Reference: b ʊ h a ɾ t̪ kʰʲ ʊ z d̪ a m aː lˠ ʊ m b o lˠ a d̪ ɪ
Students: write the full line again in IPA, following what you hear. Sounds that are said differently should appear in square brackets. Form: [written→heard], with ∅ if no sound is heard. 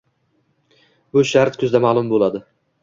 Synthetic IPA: b ʊ [h→ʃ] a ɾ t̪ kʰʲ ʊ z d̪ a m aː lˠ ʊ m b o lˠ a d̪ ɪ